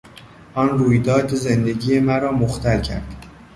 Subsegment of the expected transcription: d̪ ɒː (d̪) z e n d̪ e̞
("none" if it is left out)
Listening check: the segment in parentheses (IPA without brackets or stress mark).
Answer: d̪